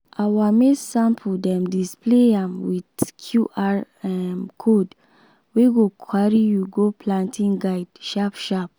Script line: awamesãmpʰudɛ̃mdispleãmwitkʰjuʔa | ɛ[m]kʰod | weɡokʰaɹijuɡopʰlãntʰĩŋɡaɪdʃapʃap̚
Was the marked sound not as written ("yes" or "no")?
no